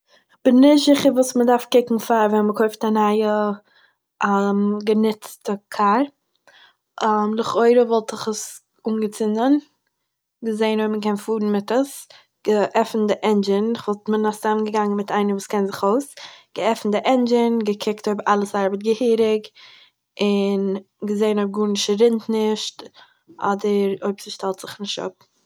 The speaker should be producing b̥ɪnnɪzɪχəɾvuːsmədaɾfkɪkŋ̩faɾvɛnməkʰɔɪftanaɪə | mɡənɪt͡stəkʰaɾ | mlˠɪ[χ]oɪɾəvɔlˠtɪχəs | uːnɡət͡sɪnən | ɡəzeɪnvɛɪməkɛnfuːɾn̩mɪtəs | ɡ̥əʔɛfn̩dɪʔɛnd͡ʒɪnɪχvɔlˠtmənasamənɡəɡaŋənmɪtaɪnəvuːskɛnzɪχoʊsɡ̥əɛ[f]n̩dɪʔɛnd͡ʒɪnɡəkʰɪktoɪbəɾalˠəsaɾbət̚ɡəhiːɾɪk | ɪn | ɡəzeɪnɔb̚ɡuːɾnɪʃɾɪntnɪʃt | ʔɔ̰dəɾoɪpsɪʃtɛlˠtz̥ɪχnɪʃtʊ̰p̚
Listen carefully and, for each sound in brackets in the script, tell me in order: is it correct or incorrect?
correct, correct

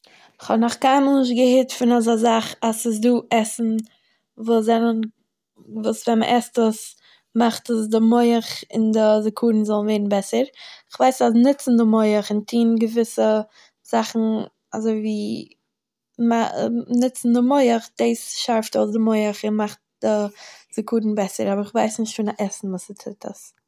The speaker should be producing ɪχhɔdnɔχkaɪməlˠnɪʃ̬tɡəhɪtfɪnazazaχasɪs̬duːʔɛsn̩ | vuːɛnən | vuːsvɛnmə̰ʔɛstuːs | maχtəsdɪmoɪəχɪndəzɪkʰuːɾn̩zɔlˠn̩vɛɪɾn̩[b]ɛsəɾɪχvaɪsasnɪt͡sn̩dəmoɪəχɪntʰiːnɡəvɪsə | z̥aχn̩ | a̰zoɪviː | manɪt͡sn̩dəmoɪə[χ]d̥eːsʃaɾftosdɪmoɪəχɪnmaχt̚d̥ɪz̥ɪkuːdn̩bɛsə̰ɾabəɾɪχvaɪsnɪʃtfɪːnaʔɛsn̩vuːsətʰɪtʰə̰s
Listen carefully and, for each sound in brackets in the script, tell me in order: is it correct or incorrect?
correct, correct

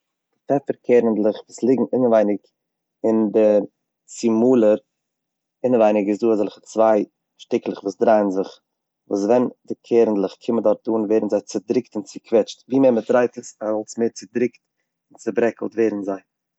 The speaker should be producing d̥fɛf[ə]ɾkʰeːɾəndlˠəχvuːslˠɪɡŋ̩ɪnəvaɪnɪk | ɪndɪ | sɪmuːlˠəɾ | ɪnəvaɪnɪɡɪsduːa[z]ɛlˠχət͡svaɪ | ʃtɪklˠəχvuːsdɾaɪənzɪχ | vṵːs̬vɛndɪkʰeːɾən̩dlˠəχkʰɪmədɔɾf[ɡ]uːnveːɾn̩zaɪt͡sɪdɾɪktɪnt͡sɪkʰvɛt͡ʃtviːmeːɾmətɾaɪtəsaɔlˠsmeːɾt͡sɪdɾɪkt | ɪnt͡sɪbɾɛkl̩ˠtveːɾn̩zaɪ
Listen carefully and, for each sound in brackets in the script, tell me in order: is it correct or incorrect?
correct, correct, incorrect: d

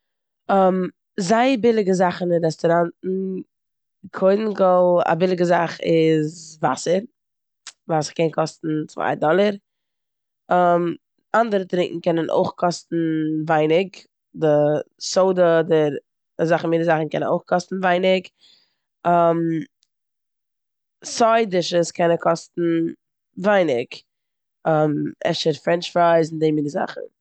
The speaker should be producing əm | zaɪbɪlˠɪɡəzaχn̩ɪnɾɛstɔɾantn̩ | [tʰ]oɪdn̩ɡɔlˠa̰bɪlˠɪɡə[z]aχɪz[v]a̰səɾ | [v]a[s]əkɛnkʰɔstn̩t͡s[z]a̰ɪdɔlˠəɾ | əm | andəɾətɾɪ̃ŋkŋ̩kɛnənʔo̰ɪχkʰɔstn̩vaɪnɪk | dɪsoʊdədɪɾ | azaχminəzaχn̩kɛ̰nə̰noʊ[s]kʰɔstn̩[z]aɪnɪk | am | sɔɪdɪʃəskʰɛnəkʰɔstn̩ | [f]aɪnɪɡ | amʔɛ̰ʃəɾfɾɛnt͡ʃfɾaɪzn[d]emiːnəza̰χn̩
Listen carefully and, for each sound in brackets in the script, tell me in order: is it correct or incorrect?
incorrect: kʰ, correct, correct, correct, correct, incorrect: v, incorrect: χ, incorrect: v, incorrect: v, correct

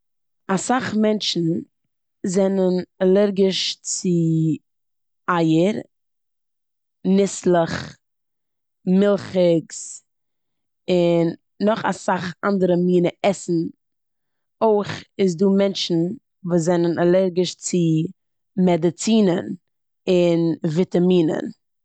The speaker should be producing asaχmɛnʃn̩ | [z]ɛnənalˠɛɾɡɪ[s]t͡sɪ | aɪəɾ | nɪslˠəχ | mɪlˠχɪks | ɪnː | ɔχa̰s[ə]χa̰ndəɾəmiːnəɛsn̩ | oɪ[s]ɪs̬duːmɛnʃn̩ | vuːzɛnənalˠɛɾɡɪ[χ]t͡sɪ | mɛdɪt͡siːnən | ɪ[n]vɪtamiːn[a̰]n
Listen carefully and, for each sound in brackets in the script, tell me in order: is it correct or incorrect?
correct, incorrect: ʃ, incorrect: a, incorrect: χ, incorrect: ʃ, correct, incorrect: ə̰

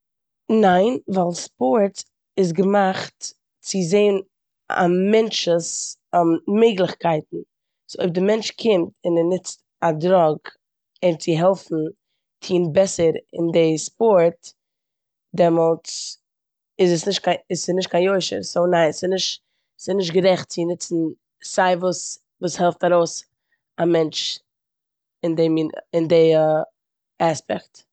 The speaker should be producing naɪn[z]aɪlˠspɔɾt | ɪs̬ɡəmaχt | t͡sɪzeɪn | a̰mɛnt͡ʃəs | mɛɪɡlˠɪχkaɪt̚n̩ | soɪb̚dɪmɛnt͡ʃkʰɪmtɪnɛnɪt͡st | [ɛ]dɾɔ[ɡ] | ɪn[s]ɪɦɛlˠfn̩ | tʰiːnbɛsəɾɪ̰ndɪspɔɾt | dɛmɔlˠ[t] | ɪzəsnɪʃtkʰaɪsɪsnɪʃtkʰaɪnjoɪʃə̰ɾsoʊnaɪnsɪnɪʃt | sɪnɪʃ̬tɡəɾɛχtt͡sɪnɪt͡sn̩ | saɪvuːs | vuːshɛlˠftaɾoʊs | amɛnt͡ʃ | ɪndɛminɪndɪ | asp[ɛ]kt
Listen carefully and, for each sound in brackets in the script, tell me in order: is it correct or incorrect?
incorrect: v, incorrect: a, correct, incorrect: t͡s, incorrect: t͡s, correct

